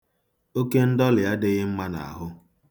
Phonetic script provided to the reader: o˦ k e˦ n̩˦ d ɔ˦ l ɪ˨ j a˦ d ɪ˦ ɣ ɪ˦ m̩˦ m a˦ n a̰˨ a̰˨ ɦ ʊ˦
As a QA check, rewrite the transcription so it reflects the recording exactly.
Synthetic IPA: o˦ k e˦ n̩˦ d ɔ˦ l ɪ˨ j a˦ d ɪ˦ ɣ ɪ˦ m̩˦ m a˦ n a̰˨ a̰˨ ɦ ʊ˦